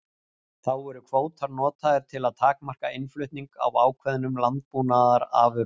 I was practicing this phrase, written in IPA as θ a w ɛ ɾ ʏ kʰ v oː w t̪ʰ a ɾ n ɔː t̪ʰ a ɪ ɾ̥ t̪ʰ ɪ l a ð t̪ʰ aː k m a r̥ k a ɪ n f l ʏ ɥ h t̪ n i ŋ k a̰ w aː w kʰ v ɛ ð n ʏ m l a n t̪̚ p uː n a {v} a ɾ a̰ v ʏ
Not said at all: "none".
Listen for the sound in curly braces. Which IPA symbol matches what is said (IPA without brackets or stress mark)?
ð